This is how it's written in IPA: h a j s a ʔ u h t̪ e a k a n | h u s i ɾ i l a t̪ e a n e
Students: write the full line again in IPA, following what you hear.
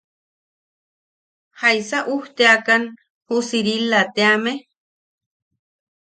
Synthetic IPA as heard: h a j s a ʔ u h t̪ e a k a n | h u s i ɾ i l a t̪ e a m e